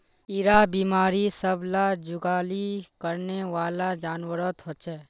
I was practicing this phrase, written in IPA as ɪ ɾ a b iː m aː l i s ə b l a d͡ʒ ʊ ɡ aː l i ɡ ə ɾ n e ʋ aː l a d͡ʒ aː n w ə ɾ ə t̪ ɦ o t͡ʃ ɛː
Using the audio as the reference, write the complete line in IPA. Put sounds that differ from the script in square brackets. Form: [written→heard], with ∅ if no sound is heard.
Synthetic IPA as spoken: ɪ ɾ a b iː m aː [l→ɾ] i s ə b l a d͡ʒ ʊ ɡ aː l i [ɡ→k] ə ɾ n e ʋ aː l a d͡ʒ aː n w ə ɾ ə t̪ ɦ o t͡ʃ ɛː